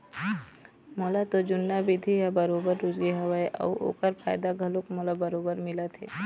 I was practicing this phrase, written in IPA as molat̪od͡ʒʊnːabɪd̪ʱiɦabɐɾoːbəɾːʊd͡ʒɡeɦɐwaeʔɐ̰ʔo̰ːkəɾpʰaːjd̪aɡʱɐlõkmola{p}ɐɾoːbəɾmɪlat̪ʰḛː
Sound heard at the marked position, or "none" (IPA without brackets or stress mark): b